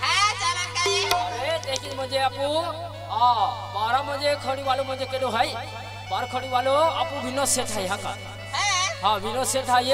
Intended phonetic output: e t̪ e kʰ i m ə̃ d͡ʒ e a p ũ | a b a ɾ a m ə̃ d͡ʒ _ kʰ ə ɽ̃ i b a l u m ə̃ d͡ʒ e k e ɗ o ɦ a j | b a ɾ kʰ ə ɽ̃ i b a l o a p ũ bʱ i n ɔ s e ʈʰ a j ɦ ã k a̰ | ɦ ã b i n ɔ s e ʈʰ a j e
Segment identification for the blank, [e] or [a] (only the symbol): e